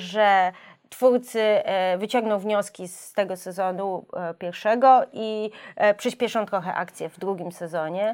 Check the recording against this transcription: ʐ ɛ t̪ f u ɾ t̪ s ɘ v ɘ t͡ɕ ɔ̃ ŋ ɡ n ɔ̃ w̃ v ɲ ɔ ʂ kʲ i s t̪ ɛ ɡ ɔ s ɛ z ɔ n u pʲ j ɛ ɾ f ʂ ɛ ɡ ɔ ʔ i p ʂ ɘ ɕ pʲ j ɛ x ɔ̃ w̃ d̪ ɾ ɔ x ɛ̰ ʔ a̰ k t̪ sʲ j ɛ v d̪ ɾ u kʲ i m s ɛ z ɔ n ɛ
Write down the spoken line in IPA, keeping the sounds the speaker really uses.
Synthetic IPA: ʐ ɛ t̪ f u ɾ t̪ s ɘ v ɘ t͡ɕ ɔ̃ ŋ ɡ n ɔ̃ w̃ v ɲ ɔ s kʲ i s t̪ ɛ ɡ ɔ s ɛ z ɔ n u pʲ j ɛ ɾ f ʂ ɛ ɡ ɔ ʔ i p ʂ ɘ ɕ pʲ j ɛ ʂ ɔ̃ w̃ t̪ ɾ ɔ x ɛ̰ ʔ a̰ k t̪ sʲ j ɛ v d̪ ɾ u ɡʲ i m s ɛ z ɔ ɲ ɛ